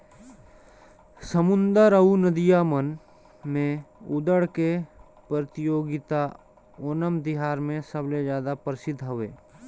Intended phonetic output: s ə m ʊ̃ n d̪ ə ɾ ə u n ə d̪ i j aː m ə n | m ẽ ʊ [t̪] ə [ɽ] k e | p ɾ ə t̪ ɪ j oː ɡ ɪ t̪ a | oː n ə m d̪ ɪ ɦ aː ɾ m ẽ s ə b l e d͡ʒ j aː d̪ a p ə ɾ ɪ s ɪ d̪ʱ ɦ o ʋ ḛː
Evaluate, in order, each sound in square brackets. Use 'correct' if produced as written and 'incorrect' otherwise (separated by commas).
incorrect, correct